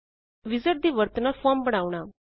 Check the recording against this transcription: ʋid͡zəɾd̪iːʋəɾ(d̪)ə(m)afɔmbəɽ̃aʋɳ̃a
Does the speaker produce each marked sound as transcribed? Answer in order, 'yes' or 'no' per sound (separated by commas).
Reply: no, no